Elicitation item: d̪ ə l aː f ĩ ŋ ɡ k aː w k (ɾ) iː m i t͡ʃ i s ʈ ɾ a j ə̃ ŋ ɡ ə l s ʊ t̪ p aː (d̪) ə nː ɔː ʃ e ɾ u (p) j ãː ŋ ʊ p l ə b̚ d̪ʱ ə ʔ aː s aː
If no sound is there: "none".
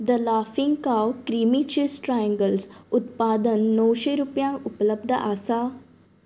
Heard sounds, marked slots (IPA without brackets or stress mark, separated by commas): ɾ, d̪, p